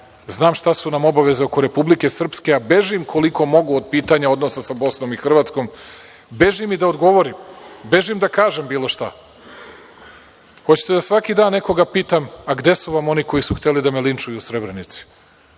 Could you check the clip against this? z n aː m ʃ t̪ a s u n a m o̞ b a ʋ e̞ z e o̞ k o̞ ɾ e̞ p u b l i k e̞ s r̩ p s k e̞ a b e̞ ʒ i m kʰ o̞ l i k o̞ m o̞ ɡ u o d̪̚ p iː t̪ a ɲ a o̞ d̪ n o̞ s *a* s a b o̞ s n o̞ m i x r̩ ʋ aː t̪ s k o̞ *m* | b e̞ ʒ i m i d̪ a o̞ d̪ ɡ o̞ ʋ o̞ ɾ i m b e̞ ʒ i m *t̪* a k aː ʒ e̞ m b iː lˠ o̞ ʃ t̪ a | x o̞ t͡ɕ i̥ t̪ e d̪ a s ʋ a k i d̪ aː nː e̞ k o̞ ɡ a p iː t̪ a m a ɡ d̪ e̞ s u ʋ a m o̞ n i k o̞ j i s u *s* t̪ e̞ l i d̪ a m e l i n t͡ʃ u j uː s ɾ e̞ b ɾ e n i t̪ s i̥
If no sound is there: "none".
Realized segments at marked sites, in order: a, m, d̪, x

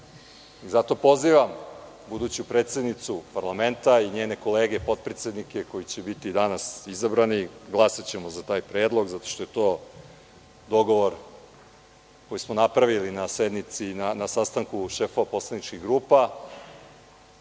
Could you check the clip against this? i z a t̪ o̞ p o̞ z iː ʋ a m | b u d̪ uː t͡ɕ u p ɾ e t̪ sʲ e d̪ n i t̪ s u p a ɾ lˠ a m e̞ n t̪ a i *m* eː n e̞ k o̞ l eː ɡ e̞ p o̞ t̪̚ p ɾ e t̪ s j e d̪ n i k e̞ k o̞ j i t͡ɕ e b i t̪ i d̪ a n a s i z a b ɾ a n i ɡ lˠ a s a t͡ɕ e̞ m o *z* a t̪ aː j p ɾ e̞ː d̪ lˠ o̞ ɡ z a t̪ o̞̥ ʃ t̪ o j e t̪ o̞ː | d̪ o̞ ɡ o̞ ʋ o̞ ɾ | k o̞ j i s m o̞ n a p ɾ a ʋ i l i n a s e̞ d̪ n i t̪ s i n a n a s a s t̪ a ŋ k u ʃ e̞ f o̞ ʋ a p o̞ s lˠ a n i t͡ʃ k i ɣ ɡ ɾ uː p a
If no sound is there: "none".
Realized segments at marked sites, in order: ɲ, z

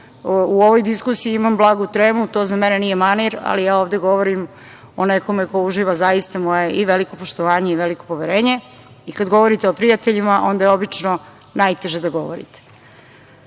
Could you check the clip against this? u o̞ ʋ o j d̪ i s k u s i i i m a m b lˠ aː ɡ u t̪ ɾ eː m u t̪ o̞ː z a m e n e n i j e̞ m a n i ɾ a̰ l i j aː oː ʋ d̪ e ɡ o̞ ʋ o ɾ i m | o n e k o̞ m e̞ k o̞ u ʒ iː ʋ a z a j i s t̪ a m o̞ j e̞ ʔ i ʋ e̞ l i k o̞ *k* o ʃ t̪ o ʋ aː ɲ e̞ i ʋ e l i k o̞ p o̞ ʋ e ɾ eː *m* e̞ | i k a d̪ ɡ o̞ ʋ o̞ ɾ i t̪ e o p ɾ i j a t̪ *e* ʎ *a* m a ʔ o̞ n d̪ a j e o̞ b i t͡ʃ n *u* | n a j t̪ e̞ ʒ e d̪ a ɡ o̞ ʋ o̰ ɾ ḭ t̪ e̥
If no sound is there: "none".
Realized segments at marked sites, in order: p, ɲ, e, i, o

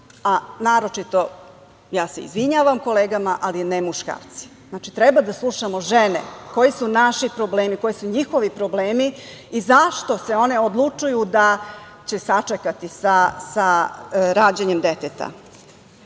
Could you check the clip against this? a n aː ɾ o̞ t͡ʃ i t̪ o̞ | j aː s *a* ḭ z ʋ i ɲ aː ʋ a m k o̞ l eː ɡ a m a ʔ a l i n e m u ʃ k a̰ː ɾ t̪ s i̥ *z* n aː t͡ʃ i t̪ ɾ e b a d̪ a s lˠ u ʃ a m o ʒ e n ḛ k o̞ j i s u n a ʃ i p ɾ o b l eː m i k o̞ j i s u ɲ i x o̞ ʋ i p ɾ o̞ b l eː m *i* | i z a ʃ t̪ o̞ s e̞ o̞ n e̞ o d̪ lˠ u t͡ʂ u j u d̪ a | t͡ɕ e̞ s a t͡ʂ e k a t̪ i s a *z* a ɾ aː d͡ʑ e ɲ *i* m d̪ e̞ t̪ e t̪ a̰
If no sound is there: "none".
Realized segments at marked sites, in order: e, z, i, s, e

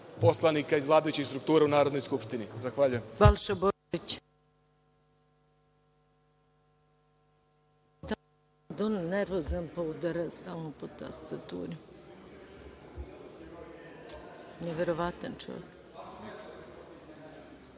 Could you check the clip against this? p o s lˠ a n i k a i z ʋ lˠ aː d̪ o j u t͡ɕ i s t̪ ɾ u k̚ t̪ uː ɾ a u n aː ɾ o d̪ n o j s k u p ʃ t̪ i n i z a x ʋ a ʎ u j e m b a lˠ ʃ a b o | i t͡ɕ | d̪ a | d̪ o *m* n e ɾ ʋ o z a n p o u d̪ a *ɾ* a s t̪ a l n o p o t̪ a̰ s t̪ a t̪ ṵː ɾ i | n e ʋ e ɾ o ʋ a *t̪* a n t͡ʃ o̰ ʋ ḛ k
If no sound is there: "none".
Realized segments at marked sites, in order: n, ɾ, t̪

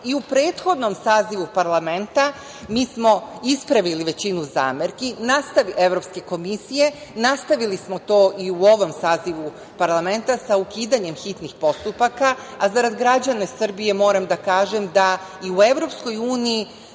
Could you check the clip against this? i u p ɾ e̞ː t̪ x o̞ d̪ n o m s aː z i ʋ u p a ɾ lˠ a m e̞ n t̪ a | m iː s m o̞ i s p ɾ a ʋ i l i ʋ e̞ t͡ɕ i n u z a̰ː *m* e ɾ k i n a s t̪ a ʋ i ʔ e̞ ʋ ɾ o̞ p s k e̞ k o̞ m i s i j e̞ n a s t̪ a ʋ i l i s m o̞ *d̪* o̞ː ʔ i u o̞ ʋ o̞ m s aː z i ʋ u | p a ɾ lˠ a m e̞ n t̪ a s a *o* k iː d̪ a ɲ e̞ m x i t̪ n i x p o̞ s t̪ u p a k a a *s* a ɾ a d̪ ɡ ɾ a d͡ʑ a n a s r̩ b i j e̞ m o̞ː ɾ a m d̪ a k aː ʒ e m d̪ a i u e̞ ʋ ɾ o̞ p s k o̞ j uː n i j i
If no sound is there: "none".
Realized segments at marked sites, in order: m, t̪, u, z

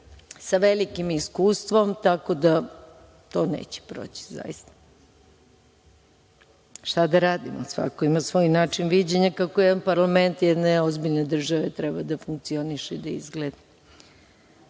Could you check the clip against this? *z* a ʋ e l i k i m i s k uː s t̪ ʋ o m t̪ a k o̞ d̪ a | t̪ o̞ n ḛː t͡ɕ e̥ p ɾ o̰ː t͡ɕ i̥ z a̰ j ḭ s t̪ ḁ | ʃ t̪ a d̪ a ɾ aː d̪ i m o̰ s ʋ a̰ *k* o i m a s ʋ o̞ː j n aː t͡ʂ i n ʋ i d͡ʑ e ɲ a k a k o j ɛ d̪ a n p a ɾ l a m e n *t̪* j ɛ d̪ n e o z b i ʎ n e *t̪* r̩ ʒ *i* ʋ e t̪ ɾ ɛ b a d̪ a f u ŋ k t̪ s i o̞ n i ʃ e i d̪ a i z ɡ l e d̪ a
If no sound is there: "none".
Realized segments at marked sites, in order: s, k, t̪, d̪, a

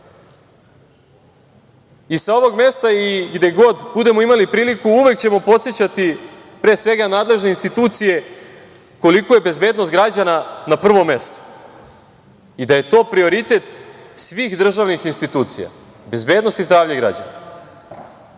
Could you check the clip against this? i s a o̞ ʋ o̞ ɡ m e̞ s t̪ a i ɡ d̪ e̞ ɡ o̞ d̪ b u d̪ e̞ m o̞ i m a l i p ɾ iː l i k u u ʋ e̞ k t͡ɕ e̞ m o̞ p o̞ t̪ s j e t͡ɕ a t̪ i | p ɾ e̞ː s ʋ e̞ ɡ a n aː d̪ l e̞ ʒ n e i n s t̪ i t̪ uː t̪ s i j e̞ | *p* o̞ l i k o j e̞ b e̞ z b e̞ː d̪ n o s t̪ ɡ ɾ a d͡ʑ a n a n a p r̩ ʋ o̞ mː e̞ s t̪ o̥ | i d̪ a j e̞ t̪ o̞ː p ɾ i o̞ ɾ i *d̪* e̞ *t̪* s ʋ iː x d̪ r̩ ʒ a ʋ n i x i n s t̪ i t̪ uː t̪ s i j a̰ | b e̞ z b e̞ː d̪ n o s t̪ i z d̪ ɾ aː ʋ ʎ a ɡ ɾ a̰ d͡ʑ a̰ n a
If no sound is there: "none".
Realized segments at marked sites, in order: k, t̪, t̪

